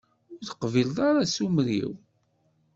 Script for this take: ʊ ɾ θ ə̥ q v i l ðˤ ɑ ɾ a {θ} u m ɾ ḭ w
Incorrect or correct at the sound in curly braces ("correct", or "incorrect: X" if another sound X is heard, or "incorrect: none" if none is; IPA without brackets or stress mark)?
incorrect: s